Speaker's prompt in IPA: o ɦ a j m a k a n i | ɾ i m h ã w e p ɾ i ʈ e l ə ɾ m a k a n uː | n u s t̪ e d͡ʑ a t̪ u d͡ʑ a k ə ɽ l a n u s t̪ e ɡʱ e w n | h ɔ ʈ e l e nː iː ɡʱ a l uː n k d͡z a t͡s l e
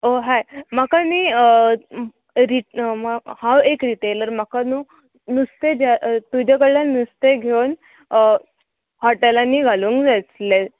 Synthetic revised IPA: o ɦ a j m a k a n i | ɾ i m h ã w e k ɾ i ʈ e l ə ɾ m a k a n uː | n u s t̪ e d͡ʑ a t̪ u d͡ʑ a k ə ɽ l a n u s t̪ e ɡʱ e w n | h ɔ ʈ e l a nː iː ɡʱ a l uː ŋ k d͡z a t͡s l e

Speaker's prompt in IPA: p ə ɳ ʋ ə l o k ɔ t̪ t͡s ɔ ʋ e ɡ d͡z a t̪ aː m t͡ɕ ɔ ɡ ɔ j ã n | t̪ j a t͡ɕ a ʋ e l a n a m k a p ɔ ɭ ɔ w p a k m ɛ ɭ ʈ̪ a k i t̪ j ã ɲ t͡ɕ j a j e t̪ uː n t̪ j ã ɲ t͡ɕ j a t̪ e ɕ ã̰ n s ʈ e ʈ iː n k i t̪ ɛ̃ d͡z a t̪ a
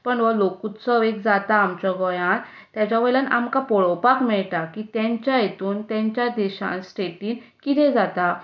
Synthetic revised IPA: p ə ɳ ʋ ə l o k u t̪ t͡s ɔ ʋ e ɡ d͡z a t̪ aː m t͡ɕ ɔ ɡ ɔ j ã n | t̪ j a t͡ɕ a ʋ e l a n a m k a p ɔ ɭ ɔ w p a k m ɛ ɭ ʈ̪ a k i t̪ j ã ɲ t͡ɕ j a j e t̪ uː n t̪ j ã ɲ t͡ɕ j a d̪ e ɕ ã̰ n s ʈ e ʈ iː n k i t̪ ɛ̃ d͡z a t̪ a

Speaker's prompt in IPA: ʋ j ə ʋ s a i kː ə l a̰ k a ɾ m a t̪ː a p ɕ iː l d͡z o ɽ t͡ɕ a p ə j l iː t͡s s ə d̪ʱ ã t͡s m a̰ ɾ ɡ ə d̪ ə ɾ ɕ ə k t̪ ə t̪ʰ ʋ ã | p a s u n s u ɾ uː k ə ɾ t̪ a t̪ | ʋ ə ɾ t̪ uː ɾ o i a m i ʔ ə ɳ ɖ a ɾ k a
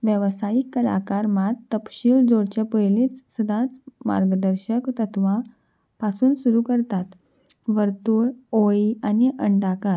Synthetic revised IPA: ʋ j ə ʋ s a i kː ə l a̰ k a ɾ m a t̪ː ə p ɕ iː l d͡z o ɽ t͡ɕ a p ə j l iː t͡s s ə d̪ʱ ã t͡s m a̰ ɾ ɡ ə d̪ ə ɾ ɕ ə k t̪ ə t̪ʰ ʋ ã | p a s uː n s u ɾ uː k ə ɾ t̪ a t̪ | ʋ ə ɾ t̪ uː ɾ o i a n i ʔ ə ɳ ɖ a k a

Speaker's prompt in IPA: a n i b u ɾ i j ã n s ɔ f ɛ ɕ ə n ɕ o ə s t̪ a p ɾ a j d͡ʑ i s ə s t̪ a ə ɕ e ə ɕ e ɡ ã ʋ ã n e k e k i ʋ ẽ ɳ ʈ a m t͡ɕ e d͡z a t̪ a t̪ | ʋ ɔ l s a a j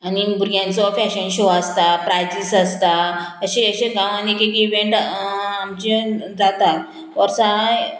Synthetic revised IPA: a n i b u ɾ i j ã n t͡s ɔ f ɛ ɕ ə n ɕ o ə s t̪ a p ɾ a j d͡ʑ i s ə s t̪ a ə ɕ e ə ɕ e ɡ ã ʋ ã n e k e k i ʋ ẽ ɳ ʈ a m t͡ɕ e d͡z a t̪ a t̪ | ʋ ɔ ɾ s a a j

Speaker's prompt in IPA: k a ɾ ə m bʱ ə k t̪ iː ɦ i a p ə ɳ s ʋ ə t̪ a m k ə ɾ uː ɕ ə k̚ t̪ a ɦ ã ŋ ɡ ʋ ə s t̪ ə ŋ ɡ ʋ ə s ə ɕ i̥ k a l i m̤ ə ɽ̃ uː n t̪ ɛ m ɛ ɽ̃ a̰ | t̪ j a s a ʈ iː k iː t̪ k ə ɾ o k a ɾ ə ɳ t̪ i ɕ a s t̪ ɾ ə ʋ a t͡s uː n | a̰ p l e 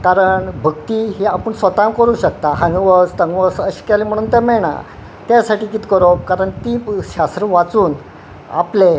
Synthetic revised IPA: k a ɾ ə ɳ bʱ ə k t̪ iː ɦ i a p ə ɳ s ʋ ə t̪ a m k ə ɾ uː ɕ ə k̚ t̪ a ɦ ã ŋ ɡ ʋ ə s t̪ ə ŋ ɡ ʋ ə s ə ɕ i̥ k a l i m̤ ə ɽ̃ uː n t̪ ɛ m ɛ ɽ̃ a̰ | t̪ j a s a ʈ iː k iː t̪ k ə ɾ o k a ɾ ə ɳ t̪ i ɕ a s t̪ ɾ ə ʋ a t͡s uː n | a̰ p l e

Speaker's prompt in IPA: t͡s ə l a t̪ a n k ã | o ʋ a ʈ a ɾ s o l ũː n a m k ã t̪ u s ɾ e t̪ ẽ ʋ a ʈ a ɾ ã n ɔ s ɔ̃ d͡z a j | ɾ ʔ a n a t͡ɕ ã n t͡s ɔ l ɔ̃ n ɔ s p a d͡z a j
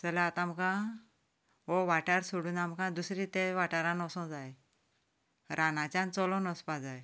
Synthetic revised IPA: t͡s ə l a t̪ a m k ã | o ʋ a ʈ a ɾ s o ɽ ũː n a m k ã d̪ u s ɾ i t̪ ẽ ʋ a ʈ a ɾ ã n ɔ s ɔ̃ d͡z a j | ɾ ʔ a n a t͡ɕ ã n t͡s ɔ l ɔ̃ n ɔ s p a d͡z a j

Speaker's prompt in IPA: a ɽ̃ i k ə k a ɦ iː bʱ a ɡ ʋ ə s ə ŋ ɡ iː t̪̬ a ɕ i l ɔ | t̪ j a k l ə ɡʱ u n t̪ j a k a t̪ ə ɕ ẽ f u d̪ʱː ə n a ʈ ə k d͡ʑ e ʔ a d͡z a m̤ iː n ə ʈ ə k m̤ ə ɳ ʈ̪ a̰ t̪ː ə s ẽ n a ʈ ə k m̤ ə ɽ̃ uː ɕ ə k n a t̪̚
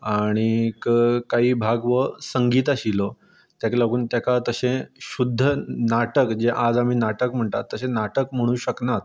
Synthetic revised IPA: a ɽ̃ i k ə k a ɦ iː bʱ a ɡ ʋ ə s ə ŋ ɡ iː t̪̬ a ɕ i l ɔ | t̪ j a k l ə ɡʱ uː n t̪ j a k a t̪ ə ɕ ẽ ɕ u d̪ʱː ə n a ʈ ə k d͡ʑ e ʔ a d͡z a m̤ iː n a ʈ ə k m̤ ə ɳ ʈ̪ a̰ t̪ː ə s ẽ n a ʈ ə k m̤ ə ɽ̃ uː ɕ ə k n a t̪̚

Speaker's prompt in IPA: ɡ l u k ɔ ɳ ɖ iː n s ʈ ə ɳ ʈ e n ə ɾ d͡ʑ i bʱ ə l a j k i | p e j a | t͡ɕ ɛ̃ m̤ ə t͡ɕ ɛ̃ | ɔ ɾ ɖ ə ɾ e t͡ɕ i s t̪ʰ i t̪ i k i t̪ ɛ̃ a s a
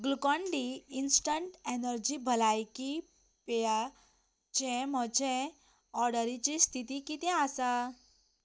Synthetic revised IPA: ɡ l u k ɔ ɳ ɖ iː n s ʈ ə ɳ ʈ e n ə ɾ d͡ʑ i bʱ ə l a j k i | p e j a | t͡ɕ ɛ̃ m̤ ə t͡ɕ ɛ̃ | ɔ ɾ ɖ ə ɾ i t͡ɕ i s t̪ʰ i t̪ i k i t̪ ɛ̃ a s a

